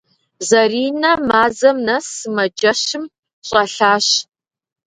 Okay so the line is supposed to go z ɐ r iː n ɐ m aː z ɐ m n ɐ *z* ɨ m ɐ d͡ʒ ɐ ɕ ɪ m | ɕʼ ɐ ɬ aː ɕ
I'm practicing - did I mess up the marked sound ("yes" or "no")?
yes